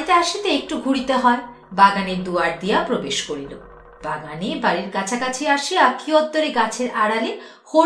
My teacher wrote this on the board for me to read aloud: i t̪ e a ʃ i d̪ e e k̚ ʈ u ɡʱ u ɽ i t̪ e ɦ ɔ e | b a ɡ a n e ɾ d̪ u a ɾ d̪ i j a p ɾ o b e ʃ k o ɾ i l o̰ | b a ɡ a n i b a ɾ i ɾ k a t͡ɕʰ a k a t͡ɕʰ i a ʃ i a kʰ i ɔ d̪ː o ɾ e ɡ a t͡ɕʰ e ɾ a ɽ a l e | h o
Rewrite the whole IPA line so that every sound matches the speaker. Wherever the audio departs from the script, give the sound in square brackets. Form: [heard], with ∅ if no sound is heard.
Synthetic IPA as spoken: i t̪ e a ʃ i [t̪] e e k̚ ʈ u ɡʱ u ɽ i t̪ e ɦ ɔ e | b a ɡ a n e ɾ d̪ u a ɾ d̪ i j a p ɾ o b e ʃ k o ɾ i l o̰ | b a ɡ a n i b a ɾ i ɾ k a t͡ɕʰ a k a t͡ɕʰ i a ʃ i a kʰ i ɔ d̪ː o ɾ e ɡ a t͡ɕʰ e ɾ a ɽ a l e | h o